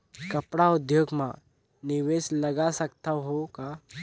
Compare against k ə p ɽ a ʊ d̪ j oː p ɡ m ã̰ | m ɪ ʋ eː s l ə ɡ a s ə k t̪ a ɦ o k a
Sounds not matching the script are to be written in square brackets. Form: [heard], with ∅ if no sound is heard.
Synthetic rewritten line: k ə p ɽ a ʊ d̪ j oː [∅] ɡ m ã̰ | [n] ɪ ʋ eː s l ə ɡ a s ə k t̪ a ɦ o k a